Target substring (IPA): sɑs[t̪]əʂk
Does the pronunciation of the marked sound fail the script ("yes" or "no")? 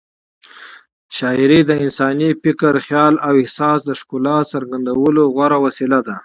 yes